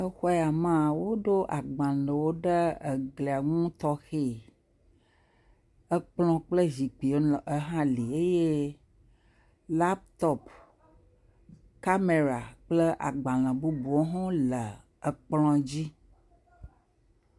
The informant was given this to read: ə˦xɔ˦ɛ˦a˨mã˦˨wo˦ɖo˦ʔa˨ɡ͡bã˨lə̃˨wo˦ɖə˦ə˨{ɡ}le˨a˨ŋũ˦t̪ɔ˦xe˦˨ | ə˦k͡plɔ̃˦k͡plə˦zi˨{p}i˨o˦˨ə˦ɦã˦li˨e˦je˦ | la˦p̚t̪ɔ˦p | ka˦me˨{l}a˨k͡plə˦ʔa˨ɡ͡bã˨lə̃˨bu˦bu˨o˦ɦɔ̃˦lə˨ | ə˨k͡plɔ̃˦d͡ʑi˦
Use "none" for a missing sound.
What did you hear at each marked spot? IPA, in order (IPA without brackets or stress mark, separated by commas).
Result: ɡ, k͡p, ɾ